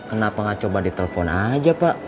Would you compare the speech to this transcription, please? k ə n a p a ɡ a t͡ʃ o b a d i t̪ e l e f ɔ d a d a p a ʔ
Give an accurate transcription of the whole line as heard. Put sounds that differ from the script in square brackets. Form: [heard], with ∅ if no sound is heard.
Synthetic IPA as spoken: k ə n a p a [ŋ] a t͡ʃ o b a d i t̪ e l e f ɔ [n] a [d͡ʒ] a p a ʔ